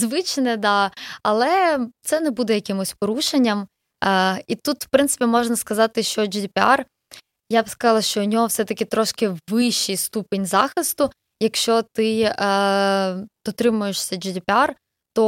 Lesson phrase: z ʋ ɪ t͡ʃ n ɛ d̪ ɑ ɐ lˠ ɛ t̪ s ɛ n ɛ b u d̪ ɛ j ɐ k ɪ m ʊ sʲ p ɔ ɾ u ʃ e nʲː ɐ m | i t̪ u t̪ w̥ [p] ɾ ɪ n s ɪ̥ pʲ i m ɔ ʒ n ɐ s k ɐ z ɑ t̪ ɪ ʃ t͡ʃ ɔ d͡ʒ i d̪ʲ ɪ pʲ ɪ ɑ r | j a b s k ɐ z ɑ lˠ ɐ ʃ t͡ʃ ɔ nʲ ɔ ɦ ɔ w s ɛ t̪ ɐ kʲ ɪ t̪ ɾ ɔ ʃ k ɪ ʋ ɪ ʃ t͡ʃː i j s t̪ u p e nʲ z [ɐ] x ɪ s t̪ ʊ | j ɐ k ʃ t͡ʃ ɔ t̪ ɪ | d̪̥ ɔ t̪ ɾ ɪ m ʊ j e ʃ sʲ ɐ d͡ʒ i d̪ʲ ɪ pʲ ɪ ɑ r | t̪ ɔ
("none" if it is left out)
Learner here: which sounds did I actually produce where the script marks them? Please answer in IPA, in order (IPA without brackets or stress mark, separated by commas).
p, ɑ